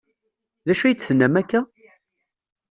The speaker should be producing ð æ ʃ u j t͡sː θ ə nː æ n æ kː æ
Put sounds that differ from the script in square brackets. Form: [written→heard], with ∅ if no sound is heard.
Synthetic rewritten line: ð æ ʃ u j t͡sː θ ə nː æ [n→m] æ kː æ